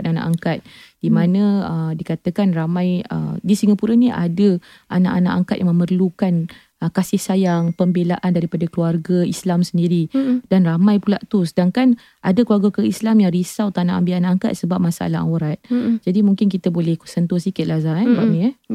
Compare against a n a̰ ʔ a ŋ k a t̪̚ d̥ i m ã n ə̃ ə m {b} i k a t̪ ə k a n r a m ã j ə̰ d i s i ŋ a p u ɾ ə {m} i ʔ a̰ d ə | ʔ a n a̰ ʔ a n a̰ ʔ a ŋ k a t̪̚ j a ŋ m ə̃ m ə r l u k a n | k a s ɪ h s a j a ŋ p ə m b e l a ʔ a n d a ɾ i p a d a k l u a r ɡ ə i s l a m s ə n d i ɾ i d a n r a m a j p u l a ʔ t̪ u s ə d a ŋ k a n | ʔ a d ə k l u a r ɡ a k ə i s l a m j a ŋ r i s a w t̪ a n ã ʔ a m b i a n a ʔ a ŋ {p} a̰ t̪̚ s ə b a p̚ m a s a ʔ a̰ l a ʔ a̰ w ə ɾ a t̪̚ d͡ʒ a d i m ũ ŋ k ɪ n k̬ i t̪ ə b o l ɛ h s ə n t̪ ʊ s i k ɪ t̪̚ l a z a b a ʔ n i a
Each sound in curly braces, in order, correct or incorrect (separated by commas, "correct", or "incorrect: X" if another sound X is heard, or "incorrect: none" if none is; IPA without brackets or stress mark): incorrect: d, incorrect: n, incorrect: k